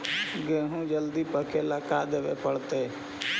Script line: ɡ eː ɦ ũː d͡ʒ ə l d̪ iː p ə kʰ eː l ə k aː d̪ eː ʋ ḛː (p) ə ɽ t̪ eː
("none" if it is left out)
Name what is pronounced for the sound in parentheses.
p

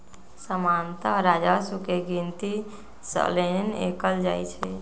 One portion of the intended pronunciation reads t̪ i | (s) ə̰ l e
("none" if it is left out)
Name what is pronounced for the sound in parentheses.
s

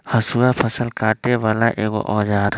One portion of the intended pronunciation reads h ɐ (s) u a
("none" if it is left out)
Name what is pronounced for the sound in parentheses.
s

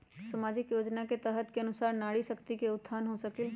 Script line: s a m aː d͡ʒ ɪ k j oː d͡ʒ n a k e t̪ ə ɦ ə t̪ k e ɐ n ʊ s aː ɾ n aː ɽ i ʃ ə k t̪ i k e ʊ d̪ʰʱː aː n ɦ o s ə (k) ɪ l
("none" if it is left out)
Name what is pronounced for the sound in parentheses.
k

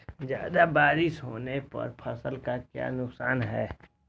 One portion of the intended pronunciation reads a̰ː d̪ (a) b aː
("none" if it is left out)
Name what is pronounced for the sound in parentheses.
a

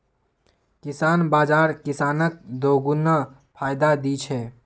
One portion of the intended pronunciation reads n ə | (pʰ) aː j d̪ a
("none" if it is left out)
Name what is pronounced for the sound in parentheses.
pʰ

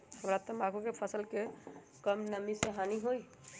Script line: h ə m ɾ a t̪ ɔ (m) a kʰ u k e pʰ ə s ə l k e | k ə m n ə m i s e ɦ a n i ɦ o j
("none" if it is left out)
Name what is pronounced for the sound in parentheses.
m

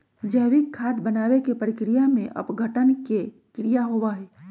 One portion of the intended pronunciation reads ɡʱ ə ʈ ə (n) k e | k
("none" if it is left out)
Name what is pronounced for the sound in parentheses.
n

